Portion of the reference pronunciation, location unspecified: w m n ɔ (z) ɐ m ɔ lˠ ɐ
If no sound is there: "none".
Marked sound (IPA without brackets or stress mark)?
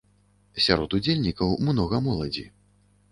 ɣ